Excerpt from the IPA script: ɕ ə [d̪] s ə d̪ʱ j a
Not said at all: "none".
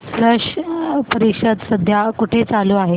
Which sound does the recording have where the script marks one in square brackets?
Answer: d̪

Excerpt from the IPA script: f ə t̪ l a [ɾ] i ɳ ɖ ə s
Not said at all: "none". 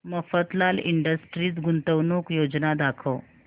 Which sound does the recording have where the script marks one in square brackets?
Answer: l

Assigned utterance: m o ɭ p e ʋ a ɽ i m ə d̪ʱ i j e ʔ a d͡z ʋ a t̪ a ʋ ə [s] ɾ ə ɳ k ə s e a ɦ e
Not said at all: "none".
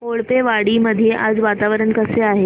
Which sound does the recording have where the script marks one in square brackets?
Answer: none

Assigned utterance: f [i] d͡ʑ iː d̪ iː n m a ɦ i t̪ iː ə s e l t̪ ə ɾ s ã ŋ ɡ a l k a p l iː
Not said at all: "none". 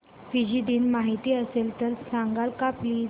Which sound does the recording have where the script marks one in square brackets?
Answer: i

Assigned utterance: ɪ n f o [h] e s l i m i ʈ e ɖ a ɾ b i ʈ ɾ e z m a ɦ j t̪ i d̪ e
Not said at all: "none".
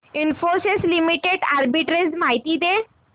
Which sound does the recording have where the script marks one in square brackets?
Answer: s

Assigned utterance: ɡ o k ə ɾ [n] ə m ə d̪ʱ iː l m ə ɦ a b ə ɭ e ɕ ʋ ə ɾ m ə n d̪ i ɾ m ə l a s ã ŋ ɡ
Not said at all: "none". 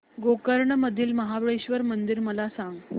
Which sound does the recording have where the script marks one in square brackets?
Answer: ɳ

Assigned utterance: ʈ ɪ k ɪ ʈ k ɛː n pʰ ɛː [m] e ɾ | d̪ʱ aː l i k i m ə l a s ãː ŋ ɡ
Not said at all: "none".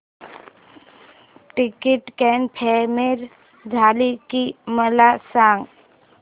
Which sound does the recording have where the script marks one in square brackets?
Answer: m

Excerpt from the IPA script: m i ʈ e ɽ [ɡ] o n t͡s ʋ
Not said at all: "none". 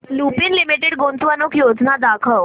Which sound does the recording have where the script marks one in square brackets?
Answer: ɡ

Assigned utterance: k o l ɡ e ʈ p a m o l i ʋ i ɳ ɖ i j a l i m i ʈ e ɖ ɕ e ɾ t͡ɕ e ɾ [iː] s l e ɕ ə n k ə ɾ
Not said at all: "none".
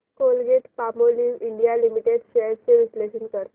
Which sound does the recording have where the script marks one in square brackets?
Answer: i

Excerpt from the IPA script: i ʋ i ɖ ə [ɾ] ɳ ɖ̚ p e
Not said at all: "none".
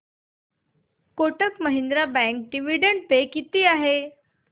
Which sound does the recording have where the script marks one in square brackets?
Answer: none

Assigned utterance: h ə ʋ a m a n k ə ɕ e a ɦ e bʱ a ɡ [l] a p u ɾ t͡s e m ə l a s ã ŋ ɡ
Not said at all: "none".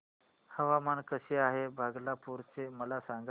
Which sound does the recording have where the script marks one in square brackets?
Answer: l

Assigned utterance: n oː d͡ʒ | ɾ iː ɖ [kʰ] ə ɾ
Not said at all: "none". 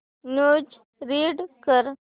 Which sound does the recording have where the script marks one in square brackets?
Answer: k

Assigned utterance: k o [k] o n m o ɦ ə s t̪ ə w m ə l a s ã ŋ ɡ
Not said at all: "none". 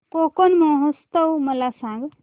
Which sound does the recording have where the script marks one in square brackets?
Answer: k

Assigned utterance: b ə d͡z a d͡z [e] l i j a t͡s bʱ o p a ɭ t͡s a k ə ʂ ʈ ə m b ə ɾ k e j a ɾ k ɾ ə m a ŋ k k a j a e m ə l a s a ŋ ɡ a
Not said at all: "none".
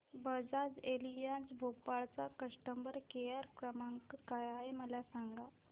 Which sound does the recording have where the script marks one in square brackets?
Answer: e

